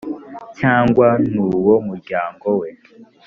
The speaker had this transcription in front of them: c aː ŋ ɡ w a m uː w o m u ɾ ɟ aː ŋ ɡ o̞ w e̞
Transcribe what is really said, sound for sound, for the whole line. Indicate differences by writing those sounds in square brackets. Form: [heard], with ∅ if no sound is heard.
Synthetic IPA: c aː ŋ ɡ w a [n] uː w o m u ɾ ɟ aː ŋ ɡ o̞ w e̞